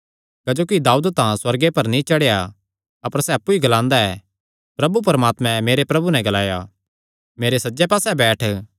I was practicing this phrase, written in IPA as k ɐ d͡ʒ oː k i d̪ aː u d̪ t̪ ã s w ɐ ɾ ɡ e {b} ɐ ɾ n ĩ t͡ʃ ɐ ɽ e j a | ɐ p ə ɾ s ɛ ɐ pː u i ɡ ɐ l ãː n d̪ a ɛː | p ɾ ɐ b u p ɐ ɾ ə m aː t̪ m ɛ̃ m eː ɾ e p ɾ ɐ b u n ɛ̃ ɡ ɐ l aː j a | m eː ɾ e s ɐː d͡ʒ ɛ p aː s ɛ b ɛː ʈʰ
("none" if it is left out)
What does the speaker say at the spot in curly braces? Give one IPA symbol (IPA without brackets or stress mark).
p